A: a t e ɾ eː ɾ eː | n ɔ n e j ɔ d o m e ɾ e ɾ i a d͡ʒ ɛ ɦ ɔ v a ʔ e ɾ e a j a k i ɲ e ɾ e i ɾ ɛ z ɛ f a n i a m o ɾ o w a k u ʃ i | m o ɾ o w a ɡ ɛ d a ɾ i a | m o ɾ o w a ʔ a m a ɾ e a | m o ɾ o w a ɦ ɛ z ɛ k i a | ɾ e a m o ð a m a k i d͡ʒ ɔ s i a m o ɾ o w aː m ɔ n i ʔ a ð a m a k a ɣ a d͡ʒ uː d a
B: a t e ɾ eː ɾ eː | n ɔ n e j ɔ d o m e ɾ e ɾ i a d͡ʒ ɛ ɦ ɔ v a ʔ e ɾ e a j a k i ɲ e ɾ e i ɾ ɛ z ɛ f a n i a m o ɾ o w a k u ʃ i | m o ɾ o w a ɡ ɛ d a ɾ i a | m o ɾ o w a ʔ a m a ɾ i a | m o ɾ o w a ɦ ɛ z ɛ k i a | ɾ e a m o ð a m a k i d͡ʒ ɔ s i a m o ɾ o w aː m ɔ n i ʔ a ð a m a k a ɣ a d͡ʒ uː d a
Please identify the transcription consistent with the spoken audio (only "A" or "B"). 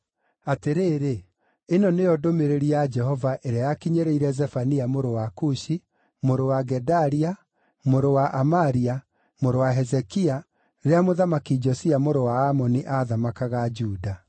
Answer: B